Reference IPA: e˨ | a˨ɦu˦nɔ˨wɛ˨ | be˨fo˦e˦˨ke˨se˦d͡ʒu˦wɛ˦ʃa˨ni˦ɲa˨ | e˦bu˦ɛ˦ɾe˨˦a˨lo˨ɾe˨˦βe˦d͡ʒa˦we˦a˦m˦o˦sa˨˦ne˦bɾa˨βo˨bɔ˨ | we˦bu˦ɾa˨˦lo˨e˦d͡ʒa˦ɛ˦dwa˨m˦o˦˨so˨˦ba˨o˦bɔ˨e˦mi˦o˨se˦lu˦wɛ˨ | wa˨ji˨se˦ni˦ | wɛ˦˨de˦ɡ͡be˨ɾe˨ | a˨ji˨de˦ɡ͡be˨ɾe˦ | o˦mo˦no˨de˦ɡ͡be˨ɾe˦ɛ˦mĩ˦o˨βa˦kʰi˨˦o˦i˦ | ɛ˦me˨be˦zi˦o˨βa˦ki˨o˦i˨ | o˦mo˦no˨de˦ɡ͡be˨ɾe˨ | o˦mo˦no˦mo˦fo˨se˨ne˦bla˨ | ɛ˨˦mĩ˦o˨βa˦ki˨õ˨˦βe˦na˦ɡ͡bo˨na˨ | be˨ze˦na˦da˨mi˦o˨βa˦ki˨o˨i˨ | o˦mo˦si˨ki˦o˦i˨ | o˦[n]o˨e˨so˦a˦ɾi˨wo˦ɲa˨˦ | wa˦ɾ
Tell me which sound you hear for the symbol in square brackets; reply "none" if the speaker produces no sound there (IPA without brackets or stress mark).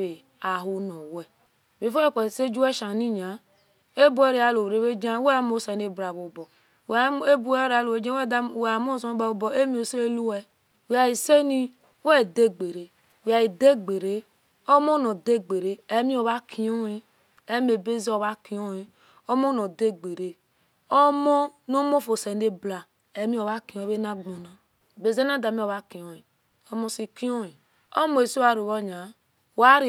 m